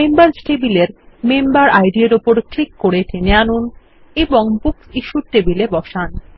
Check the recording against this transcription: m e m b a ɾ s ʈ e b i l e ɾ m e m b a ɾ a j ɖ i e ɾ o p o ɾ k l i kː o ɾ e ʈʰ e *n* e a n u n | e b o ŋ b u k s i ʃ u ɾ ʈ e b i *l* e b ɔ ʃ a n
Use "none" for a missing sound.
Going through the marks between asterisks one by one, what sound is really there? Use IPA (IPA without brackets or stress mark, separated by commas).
n, l